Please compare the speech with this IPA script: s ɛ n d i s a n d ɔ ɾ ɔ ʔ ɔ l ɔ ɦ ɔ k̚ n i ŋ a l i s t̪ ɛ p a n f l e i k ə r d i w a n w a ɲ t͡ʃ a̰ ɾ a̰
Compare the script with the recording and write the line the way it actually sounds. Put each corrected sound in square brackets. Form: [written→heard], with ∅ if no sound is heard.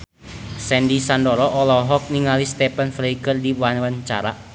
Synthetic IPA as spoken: s ɛ n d i s a n d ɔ ɾ ɔ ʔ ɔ l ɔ ɦ ɔ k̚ n i ŋ a l i s t̪ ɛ p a n f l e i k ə r d i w a n w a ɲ t͡ʃ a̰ ɾ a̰